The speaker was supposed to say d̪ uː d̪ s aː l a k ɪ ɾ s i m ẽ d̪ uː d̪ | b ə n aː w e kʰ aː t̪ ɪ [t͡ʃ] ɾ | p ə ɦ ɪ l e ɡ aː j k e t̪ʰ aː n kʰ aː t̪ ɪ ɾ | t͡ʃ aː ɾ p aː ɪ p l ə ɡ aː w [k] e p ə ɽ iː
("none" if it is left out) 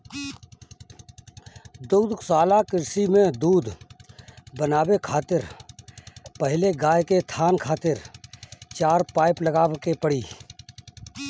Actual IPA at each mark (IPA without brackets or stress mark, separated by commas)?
none, k